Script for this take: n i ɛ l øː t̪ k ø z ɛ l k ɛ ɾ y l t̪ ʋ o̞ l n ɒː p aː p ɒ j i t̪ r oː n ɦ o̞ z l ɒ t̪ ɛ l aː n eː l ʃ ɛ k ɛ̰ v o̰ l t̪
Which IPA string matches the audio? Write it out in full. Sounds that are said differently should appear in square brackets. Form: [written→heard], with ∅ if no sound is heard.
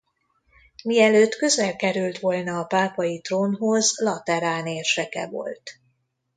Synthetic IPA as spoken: [n→m] i ɛ l øː t̪ k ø z ɛ l k ɛ ɾ y l t̪ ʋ o̞ l n ɒː p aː p ɒ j i t̪ r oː n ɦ o̞ z l ɒ t̪ ɛ [l→ɾ] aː n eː [l→r] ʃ ɛ k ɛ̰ v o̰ l t̪